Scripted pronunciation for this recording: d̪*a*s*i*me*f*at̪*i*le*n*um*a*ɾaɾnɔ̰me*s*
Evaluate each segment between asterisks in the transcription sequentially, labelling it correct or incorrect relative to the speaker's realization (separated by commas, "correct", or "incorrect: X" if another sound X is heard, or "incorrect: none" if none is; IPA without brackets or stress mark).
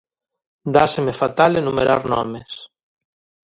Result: correct, incorrect: e, correct, incorrect: a, correct, incorrect: e, correct